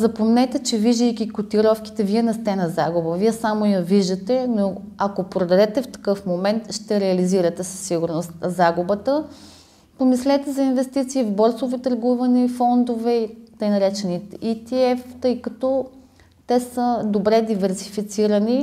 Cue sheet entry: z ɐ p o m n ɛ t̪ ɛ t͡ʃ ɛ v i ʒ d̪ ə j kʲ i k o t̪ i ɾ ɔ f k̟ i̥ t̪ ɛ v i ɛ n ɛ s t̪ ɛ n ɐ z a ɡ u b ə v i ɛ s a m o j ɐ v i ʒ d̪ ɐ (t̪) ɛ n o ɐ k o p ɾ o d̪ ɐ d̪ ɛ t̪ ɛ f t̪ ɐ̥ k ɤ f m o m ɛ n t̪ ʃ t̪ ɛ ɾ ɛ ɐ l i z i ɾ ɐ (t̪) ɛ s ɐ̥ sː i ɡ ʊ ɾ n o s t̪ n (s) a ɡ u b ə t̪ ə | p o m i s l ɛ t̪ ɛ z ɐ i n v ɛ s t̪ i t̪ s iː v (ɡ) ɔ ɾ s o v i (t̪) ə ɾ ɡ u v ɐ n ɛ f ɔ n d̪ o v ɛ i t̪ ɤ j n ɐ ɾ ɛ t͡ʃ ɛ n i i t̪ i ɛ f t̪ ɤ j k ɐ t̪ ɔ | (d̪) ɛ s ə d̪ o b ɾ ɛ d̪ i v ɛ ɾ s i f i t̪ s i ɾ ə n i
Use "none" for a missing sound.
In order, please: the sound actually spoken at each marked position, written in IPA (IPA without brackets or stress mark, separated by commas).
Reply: t̪, t̪, z, b, t̪, t̪